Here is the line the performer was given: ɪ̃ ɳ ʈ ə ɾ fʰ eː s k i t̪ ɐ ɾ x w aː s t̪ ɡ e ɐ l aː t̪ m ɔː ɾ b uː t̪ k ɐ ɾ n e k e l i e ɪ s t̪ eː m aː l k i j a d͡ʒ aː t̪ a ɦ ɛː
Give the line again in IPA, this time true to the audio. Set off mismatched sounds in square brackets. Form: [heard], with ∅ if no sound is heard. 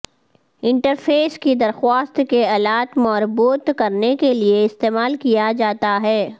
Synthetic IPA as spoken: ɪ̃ ɳ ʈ ə ɾ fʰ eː s k i [d̪] ɐ ɾ x w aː s t̪ [k] e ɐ l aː t̪ m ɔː ɾ b uː t̪ k ɐ ɾ n e k e l i e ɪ s t̪ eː m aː l k i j a d͡ʒ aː t̪ a ɦ ɛː